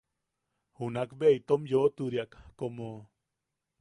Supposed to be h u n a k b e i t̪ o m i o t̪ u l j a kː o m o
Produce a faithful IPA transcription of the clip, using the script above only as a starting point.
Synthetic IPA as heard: h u n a k b e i t̪ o m j o t̪ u ɾ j a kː o m o